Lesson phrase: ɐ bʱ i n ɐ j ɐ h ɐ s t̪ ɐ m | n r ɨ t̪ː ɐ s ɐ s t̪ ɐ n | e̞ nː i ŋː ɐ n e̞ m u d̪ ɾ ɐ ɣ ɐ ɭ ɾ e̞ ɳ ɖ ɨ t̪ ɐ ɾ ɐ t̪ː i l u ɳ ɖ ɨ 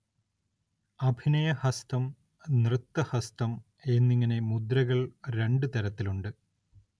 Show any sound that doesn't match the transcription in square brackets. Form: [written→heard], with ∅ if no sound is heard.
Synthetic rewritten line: ɐ bʱ i n ɐ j ɐ h ɐ s t̪ ɐ m | n r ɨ t̪ː ɐ [s→h] ɐ s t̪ ɐ [n→m] | e̞ nː i ŋː ɐ n e̞ m u d̪ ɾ ɐ ɣ ɐ ɭ ɾ e̞ ɳ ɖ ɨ t̪ ɐ ɾ ɐ t̪ː i l u ɳ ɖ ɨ